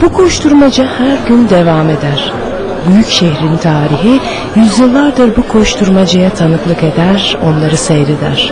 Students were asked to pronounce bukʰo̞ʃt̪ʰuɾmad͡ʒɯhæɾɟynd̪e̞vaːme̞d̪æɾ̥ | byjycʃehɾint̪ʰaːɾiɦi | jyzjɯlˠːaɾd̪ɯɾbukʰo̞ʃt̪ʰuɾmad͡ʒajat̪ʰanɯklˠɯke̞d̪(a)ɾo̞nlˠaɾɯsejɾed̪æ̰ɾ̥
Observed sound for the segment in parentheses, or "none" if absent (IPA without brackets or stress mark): æ